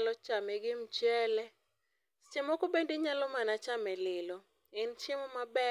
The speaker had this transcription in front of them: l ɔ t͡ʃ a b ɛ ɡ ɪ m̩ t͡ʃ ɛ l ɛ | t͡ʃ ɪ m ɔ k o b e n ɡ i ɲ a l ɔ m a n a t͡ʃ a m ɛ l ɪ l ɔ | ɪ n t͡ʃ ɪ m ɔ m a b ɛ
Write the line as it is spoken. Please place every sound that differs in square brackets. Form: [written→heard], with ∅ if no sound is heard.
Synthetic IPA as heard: l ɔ t͡ʃ a [b→m] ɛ ɡ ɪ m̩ t͡ʃ ɛ l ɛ | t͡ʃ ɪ m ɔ k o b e n [ɡ→d] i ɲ a l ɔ m a n a t͡ʃ a m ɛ l ɪ l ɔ | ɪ n t͡ʃ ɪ m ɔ m a b ɛ